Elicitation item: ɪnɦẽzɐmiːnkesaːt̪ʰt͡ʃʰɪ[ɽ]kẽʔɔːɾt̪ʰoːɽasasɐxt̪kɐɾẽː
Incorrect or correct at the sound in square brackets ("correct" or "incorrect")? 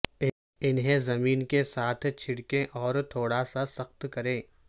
correct